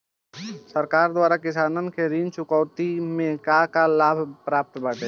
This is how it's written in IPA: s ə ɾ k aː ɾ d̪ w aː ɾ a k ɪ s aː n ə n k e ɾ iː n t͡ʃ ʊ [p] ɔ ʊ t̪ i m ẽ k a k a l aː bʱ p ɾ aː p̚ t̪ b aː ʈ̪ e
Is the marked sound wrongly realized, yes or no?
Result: yes